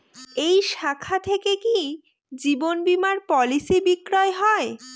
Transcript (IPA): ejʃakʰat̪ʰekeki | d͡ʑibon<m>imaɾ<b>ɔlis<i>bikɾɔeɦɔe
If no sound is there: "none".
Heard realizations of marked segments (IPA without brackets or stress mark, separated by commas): b, p, i